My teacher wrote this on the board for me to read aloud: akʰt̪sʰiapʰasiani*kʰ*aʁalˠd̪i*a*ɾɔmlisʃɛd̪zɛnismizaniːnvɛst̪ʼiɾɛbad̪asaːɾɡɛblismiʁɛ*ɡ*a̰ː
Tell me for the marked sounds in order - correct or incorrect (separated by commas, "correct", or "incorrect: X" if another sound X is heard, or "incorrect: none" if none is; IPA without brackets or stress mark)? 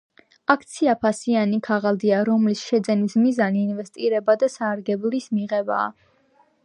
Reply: correct, correct, incorrect: b